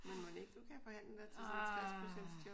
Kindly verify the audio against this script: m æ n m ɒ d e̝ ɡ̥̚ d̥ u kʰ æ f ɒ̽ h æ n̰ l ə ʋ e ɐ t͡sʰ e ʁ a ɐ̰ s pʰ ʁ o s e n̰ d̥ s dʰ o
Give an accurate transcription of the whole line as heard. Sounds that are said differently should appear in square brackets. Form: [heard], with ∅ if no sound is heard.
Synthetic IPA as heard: m [e] n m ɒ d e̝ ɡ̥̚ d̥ u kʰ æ f ɒ̽ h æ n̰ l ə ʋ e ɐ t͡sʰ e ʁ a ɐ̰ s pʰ ʁ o s e n̰ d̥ s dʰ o

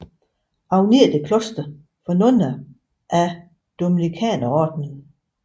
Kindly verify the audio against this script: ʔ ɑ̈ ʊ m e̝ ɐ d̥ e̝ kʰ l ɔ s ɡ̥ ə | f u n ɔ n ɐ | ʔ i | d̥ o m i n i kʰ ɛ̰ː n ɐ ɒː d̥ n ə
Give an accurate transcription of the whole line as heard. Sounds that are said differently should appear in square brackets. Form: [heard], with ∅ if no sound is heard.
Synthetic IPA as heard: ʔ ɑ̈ ʊ [n] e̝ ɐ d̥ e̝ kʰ l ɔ s [d̥] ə | f [ɒ] n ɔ n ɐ | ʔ [æ] | d̥ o m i n i kʰ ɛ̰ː n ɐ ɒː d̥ n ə

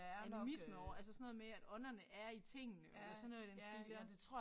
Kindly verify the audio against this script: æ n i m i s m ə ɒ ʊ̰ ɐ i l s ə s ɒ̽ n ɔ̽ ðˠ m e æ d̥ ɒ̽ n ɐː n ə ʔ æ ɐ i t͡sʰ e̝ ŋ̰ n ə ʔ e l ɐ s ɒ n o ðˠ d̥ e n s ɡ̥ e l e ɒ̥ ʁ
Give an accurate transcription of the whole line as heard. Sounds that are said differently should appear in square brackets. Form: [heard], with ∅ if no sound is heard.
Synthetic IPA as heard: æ n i m i s m ə ɒ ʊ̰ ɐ [æ] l s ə s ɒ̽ n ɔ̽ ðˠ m e æ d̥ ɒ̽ n [ɐ] n ə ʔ æ ɐ i t͡sʰ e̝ ŋ̰ n ə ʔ e l ɐ s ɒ n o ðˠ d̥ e n s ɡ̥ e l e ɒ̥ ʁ

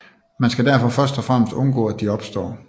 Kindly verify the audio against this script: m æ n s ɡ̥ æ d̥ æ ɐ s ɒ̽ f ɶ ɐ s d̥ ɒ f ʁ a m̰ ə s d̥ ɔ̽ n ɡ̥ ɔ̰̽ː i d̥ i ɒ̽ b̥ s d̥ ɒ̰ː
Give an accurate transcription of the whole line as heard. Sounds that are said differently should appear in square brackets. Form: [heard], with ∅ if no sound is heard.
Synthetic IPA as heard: m æ n s ɡ̥ æ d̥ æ ɐ [f] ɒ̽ f ɶ ɐ s d̥ ɒ f ʁ a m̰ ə s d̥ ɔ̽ n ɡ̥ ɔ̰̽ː [æ] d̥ i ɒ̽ b̥ s d̥ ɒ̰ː

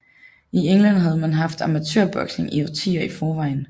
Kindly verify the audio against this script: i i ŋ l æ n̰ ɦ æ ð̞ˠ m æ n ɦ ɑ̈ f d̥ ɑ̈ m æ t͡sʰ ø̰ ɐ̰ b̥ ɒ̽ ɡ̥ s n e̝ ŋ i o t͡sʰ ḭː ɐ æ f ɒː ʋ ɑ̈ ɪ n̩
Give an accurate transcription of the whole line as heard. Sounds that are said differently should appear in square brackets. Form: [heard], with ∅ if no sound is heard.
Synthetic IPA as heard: i [e] ŋ l æ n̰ ɦ æ ð̞ˠ m æ n ɦ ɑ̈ f d̥ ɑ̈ m æ t͡sʰ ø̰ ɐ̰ b̥ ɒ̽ ɡ̥ s n e̝ ŋ i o t͡sʰ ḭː ɐ [i] f ɒː ʋ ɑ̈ ɪ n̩

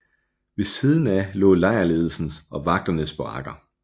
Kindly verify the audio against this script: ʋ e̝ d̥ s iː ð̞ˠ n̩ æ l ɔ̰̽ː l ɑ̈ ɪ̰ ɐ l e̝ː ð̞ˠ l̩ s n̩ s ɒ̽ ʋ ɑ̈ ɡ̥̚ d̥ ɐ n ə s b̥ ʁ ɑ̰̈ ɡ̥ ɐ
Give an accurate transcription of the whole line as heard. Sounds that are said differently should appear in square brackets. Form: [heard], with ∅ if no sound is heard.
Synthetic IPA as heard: ʋ e̝ [∅] s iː ð̞ˠ n̩ æ l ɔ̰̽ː l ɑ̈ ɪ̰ ɐ l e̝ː ð̞ˠ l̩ s n̩ s ɒ̽ ʋ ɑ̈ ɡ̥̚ d̥ ɐ n ə s b̥ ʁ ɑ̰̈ ɡ̥ ɐ

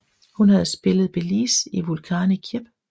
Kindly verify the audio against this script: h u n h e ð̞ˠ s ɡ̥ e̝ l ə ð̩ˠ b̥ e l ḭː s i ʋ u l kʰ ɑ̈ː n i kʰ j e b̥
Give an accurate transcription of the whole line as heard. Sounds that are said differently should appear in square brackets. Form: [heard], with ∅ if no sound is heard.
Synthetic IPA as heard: h u n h [æ] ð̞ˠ s [b̥] e̝ l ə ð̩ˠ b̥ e l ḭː s i ʋ u l kʰ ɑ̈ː n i kʰ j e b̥

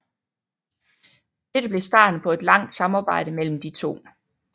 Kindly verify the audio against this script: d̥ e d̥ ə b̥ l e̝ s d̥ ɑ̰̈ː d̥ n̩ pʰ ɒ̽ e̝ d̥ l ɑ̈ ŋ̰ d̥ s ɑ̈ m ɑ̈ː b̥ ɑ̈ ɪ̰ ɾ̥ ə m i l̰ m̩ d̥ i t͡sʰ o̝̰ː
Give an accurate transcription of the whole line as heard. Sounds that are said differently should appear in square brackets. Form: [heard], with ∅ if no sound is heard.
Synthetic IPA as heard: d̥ e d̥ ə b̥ l e̝ s d̥ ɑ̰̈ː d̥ n̩ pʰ ɒ̽ e̝ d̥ l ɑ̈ ŋ̰ d̥ s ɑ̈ m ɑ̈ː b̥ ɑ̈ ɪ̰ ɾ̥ ə m [e] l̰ m̩ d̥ i t͡sʰ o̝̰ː

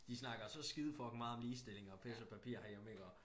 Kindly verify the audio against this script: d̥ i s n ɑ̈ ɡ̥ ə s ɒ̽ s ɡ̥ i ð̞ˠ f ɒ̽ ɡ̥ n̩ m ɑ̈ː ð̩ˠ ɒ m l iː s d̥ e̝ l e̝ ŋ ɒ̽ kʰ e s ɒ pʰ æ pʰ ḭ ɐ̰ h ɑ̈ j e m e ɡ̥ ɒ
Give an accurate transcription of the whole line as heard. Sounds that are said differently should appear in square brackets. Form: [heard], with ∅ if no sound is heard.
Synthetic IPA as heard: d̥ i s n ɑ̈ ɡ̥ [ɐ] s ɒ̽ s ɡ̥ i ð̞ˠ f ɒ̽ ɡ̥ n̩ m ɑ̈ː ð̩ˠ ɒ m l iː s d̥ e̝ l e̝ ŋ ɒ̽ [pʰ] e s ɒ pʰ æ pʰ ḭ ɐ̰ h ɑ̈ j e m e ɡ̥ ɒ

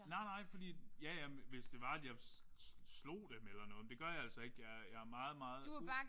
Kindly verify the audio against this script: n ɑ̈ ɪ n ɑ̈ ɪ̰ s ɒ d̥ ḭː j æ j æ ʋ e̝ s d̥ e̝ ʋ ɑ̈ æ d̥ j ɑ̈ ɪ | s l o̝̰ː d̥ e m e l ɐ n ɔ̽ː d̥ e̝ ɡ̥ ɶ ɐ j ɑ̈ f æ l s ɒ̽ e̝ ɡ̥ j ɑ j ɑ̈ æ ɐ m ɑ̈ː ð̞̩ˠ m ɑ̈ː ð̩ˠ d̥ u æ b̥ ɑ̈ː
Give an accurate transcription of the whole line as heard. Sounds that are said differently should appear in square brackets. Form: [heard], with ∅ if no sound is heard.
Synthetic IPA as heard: n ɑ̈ ɪ n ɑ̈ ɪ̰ [f] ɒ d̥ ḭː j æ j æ ʋ e̝ s d̥ e̝ ʋ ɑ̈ æ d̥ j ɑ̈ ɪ | s l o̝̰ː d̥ e m e l ɐ n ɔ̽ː d̥ e̝ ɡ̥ ɶ ɐ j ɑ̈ [∅] æ l s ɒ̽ e̝ ɡ̥ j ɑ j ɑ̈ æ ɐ m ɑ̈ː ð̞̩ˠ m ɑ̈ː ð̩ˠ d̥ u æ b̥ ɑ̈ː

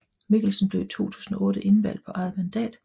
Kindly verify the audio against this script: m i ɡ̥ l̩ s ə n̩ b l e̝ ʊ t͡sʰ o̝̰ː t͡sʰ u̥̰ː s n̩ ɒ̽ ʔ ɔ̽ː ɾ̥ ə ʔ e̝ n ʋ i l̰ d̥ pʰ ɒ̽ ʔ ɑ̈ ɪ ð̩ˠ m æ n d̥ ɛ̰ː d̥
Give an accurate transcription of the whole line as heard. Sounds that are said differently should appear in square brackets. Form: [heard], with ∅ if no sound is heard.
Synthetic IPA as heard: m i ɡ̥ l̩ s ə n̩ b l e̝ ʊ t͡sʰ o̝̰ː t͡sʰ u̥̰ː s n̩ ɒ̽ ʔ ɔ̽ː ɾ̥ ə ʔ e̝ n ʋ [æ] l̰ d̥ pʰ ɒ̽ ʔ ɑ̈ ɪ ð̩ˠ m æ n d̥ ɛ̰ː d̥

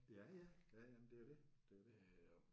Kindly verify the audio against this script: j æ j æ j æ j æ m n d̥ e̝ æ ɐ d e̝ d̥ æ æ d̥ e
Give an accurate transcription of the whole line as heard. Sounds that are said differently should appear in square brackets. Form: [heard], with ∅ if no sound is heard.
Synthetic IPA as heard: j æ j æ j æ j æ m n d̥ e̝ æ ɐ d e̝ d̥ [e] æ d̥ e

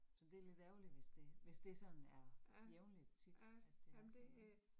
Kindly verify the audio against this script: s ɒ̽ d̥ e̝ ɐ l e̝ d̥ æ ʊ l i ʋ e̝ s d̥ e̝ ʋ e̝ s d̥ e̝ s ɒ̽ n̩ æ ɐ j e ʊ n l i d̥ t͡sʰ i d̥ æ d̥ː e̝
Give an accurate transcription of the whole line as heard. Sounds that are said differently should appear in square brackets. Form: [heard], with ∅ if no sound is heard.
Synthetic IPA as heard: s ɒ̽ d̥ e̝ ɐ l e̝ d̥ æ ʊ l i ʋ e̝ s d̥ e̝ ʋ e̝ s d̥ e̝ s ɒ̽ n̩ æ ɐ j e ʊ n l i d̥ t͡sʰ i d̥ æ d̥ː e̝

